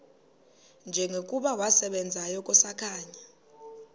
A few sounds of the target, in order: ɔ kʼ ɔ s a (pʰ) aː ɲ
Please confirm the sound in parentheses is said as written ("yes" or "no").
no